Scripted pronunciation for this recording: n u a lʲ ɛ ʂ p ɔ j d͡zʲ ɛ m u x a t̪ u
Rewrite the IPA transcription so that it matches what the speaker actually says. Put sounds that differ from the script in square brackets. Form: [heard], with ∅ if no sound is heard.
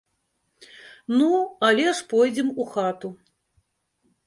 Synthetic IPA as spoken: n u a lʲ ɛ ʂ p ɔ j d͡zʲ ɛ m u x a t̪ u